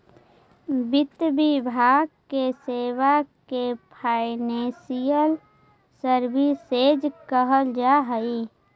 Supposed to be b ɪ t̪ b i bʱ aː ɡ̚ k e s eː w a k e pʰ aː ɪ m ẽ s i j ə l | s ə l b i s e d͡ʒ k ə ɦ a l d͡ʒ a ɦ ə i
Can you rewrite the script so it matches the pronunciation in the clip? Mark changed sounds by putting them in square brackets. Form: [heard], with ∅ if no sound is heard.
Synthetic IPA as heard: b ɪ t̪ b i bʱ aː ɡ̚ k e s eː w a k e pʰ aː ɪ [n] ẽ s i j ə l | s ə [ɾ] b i s e d͡ʒ k ə ɦ [ə] l d͡ʒ a ɦ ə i